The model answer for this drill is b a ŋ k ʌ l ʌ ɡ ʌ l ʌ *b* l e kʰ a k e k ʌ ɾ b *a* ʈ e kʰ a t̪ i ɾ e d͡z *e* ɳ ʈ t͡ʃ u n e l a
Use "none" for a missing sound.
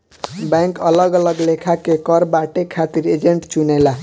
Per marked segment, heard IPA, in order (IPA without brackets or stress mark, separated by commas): ɡ, a, e